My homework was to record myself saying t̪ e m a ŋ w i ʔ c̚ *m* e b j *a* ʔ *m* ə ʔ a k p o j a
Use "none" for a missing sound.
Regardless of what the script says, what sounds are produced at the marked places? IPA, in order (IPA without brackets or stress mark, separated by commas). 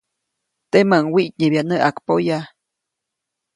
ɲ, a, n